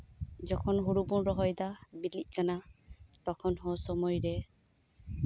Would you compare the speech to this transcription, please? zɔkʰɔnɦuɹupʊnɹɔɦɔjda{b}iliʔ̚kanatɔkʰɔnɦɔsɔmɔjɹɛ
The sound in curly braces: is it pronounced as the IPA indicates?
yes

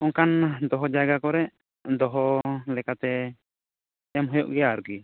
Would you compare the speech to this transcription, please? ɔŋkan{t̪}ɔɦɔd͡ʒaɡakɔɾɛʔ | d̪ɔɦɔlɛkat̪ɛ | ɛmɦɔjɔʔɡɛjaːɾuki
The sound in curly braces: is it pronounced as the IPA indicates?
no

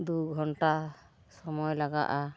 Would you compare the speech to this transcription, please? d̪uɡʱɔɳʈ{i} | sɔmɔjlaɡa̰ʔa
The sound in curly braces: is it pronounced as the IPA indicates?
no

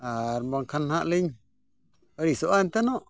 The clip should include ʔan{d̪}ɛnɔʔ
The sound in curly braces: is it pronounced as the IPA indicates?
no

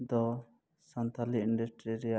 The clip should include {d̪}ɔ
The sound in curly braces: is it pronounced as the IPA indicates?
yes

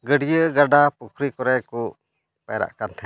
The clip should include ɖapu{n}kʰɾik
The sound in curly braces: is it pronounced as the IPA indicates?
no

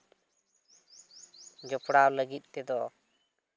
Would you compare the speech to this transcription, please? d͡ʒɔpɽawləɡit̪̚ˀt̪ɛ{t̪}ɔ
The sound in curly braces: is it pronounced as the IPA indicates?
no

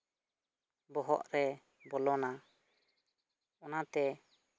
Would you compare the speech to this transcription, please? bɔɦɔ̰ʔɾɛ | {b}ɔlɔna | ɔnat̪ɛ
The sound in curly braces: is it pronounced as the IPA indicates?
yes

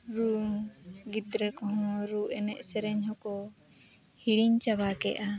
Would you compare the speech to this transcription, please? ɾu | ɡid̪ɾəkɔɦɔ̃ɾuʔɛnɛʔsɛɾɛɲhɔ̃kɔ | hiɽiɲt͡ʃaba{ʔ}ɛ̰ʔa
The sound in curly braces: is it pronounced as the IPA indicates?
no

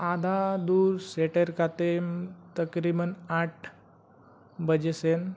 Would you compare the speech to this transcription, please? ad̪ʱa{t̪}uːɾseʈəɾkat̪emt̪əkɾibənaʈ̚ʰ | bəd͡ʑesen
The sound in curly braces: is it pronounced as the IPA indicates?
no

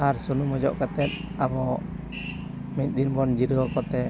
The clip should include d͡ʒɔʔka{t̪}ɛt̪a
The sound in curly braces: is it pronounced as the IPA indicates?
yes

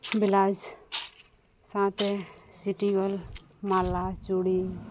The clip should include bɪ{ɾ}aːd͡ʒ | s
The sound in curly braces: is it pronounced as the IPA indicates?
no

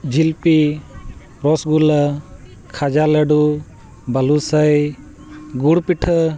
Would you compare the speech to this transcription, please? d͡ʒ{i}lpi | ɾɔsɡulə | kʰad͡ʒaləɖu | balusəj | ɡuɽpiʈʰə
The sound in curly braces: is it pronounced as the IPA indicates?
yes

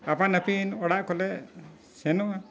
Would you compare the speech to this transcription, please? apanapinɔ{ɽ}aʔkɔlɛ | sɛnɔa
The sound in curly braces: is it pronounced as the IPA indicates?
yes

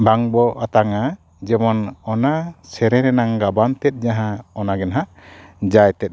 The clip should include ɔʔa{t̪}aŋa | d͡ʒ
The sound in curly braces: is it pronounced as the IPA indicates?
yes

